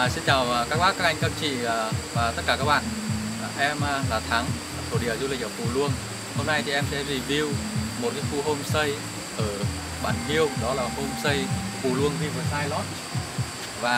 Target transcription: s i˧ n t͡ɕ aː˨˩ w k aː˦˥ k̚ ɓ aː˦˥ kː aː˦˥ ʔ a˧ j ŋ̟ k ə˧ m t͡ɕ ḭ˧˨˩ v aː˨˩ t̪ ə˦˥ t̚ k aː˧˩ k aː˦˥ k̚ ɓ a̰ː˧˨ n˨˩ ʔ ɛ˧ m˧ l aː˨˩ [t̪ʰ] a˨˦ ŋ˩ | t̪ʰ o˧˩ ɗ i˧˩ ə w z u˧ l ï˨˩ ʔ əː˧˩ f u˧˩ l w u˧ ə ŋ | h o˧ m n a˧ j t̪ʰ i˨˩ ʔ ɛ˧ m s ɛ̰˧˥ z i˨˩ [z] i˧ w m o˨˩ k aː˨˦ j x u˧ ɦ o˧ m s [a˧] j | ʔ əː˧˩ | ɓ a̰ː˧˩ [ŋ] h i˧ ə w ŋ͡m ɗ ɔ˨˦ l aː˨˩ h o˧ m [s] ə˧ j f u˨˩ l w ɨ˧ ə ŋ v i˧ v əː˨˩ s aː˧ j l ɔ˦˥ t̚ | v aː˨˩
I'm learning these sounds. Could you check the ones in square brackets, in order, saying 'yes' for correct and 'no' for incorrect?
yes, no, no, no, yes

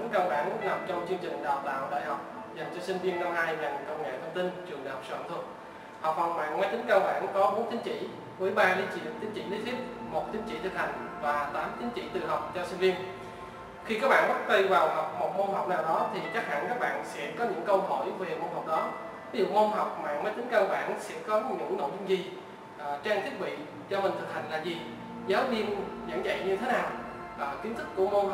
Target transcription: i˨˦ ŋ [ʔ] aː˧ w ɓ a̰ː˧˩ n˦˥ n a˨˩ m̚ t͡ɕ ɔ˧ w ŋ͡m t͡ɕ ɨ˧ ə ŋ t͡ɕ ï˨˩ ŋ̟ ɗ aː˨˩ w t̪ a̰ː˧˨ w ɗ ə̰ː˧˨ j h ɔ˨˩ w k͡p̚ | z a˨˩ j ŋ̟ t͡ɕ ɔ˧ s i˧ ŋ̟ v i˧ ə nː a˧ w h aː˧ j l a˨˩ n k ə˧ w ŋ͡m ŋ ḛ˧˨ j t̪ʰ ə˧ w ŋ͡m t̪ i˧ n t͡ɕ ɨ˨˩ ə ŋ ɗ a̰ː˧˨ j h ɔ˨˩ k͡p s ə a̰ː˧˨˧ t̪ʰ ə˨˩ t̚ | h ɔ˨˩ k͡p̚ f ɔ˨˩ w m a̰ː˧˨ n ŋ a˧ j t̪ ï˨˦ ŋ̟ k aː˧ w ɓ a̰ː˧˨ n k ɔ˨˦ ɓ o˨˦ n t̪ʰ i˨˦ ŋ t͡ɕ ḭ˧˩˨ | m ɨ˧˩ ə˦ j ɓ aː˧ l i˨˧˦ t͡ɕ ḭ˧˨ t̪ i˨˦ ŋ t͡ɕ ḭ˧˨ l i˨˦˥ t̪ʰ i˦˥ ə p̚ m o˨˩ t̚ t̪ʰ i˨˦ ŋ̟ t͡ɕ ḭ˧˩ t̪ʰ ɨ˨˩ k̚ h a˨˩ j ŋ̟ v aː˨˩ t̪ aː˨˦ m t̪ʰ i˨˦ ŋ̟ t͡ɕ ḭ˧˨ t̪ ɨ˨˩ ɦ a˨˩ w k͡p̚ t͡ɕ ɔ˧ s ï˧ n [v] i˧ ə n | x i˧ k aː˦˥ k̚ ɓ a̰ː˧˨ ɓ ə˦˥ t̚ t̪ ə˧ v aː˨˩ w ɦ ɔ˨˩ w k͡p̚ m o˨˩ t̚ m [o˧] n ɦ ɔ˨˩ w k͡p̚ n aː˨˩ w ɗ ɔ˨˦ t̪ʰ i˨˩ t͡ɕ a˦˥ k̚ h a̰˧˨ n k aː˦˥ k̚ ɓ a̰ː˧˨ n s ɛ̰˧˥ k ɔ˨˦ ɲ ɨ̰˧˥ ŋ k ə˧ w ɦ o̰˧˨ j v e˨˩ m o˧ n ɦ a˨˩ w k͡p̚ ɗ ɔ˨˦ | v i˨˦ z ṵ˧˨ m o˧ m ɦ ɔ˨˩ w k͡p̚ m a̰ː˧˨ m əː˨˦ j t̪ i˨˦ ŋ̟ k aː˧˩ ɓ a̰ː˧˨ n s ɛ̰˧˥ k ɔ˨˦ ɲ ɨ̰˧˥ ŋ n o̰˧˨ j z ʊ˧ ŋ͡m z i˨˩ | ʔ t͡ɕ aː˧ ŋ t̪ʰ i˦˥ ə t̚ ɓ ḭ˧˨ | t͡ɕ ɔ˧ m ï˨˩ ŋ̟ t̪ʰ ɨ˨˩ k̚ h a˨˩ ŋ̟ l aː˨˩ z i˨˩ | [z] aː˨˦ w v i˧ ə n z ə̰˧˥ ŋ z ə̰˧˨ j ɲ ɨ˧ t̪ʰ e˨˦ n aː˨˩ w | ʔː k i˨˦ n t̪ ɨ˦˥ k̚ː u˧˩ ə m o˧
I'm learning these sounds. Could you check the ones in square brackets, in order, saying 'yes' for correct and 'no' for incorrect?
no, yes, yes, yes

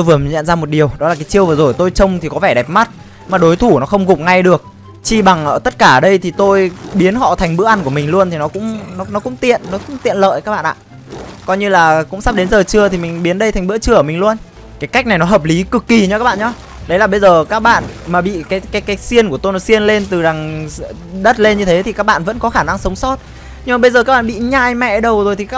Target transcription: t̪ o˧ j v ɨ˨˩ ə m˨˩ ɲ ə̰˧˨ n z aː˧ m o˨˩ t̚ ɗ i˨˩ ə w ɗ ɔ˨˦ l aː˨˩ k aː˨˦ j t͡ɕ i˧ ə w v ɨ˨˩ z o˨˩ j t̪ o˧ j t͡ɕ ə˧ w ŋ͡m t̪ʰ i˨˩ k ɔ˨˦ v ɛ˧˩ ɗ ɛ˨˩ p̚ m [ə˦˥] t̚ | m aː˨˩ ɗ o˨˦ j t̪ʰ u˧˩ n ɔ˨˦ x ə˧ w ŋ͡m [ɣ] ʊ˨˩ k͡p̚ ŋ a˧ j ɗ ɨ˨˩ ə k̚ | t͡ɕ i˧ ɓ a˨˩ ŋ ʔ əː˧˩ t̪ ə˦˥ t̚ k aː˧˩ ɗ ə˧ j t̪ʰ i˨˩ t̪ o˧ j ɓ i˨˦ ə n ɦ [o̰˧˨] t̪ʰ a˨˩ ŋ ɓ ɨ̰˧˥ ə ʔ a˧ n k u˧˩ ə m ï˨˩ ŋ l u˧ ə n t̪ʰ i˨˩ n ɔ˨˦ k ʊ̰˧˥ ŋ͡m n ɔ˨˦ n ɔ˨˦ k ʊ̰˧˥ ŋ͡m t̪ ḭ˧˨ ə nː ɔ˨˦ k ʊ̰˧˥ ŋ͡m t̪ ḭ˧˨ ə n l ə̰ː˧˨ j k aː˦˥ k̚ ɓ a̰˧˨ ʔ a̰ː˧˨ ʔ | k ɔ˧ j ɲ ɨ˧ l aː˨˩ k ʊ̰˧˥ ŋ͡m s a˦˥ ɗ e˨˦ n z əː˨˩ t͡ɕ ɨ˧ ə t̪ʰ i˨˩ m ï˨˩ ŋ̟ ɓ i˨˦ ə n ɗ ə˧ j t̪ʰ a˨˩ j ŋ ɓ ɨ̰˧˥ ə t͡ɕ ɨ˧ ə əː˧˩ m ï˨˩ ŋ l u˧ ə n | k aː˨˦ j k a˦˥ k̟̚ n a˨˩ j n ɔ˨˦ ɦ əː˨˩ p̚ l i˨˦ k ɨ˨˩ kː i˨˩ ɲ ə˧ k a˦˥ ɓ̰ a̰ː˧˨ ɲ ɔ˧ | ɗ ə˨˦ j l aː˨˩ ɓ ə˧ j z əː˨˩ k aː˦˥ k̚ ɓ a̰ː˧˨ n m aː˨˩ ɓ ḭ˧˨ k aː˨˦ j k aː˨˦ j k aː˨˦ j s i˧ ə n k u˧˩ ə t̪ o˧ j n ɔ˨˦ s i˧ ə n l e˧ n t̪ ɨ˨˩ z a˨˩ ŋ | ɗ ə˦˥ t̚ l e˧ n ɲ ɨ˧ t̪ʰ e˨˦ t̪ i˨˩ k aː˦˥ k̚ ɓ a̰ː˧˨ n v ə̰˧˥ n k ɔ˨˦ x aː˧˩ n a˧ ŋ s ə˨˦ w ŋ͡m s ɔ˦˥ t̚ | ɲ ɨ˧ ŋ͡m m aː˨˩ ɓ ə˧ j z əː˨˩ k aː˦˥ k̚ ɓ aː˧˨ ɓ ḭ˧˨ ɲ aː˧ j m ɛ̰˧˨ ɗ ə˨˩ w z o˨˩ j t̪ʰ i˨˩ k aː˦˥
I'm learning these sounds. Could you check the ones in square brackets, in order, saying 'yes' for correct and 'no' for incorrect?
no, yes, no

